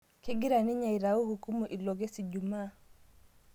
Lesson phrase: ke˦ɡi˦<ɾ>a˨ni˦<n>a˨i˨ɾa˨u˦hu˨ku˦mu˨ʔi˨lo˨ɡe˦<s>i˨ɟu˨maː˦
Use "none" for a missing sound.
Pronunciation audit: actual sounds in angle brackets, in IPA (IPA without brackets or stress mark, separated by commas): ɾ, ɲ, s